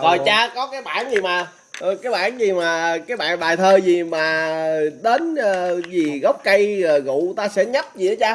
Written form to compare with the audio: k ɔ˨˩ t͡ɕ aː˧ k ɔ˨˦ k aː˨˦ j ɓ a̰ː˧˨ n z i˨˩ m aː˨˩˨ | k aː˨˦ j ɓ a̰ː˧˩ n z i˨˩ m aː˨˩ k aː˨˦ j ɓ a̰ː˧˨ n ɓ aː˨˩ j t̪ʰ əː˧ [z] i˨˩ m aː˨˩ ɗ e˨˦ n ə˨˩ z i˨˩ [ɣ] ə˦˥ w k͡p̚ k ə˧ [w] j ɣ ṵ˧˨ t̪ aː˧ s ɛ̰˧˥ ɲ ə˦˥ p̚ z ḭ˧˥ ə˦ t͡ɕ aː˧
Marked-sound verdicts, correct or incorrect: correct, correct, incorrect: none

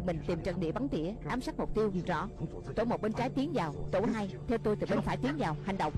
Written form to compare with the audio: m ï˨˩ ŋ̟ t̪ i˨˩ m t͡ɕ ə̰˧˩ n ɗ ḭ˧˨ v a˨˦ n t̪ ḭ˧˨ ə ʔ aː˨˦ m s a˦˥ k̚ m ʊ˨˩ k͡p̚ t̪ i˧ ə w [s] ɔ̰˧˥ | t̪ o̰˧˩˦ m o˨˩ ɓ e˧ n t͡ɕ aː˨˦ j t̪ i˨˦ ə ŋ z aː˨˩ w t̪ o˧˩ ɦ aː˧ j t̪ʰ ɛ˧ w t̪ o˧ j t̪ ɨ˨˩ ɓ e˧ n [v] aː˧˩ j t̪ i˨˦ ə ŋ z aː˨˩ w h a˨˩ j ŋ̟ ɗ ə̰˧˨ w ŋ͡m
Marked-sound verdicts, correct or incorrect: incorrect: z, incorrect: f

